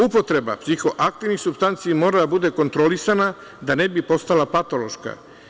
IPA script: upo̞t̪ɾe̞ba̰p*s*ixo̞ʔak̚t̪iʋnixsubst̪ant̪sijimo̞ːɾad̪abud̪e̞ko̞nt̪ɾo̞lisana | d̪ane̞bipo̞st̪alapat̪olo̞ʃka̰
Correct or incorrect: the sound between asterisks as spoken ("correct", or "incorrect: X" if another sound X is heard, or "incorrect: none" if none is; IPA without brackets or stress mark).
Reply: correct